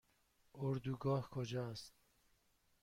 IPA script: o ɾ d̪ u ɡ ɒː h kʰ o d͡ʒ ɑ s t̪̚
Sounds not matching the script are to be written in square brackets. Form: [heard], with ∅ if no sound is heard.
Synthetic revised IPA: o ɾ d̪ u ɡ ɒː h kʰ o d͡ʒ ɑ s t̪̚